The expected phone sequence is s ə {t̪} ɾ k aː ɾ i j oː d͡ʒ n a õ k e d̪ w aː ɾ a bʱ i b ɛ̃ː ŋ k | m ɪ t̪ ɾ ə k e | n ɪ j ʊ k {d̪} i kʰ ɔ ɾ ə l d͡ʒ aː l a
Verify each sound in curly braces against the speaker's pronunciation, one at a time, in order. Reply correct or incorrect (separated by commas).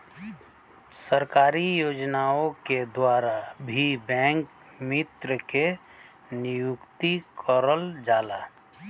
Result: incorrect, incorrect